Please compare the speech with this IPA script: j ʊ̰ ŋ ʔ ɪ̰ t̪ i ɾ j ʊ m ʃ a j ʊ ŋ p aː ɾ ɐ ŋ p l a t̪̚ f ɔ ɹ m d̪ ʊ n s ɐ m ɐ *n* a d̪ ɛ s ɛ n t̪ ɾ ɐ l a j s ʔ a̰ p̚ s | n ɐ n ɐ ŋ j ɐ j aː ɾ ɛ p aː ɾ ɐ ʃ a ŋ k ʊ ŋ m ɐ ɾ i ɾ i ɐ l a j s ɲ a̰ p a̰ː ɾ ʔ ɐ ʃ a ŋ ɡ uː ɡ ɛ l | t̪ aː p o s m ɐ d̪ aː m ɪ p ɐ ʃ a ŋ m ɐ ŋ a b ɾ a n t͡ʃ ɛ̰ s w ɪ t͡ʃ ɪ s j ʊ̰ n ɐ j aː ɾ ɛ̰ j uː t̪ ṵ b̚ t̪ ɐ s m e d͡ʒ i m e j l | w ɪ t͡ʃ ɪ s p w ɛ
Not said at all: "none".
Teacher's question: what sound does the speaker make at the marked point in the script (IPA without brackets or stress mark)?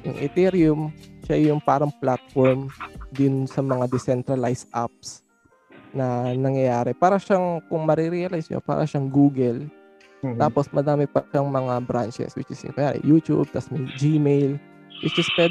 ŋ